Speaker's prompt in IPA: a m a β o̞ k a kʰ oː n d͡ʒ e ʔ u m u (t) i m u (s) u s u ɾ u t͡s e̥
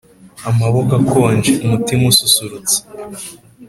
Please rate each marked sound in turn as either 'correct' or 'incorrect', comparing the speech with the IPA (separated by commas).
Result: correct, correct